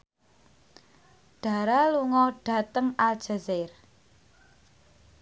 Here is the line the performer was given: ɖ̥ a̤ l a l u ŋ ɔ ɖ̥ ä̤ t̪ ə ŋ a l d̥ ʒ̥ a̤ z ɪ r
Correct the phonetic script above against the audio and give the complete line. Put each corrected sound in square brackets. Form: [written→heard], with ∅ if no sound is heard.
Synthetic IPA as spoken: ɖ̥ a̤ [l→ɾ] a l u ŋ ɔ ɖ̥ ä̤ t̪ ə ŋ a l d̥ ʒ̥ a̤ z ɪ r